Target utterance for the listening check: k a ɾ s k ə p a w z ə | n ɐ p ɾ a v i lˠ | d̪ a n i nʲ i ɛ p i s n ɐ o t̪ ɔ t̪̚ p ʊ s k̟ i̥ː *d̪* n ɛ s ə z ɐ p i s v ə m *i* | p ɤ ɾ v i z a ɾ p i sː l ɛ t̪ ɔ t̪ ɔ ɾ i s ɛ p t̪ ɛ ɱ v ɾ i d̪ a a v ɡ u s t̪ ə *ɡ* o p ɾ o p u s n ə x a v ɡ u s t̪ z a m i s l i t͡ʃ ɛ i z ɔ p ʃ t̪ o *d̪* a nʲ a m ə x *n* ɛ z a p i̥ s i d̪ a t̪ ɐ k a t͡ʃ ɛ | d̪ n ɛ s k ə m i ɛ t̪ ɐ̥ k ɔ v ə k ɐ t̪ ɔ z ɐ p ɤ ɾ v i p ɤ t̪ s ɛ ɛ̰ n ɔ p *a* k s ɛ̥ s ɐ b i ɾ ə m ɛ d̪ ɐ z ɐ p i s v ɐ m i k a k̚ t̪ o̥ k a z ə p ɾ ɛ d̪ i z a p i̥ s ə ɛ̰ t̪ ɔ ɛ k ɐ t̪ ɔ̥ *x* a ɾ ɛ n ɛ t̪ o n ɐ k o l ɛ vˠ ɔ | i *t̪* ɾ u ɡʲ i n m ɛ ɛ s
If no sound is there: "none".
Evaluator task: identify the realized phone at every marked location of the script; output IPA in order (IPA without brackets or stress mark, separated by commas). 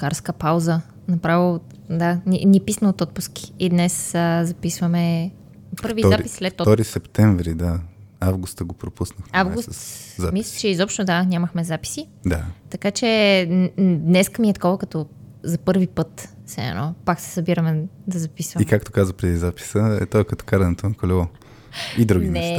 d̪, ɛ, ɡ, d̪, m, a, k, d̪